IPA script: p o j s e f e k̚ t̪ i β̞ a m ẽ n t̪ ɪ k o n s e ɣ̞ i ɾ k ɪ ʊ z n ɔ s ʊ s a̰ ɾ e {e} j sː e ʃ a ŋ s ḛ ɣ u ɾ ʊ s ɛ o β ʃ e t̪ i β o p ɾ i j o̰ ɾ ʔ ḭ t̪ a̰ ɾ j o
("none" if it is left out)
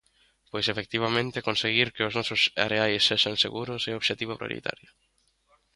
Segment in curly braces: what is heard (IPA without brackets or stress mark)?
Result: a